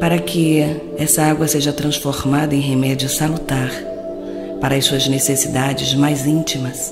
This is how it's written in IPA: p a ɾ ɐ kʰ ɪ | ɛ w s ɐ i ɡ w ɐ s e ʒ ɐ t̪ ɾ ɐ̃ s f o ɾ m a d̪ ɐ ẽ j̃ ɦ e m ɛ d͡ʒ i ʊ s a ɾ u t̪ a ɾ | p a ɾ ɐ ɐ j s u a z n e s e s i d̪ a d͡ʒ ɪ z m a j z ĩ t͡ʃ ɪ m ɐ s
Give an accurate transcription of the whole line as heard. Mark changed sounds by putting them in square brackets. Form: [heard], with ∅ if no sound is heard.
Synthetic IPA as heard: p a ɾ ɐ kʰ ɪ | ɛ [∅] s ɐ [a] ɡ w ɐ s e ʒ ɐ t̪ ɾ ɐ̃ s f o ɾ m a d̪ ɐ ẽ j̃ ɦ e m ɛ d͡ʒ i ʊ s a [l] u t̪ a ɾ | p a ɾ ɐ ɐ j s u [ɐ] z n e s e s i d̪ a d͡ʒ ɪ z m a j z ĩ t͡ʃ [i] m ɐ s